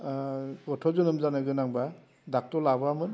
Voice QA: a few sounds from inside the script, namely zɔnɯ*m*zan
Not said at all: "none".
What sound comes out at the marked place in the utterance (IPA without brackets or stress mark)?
m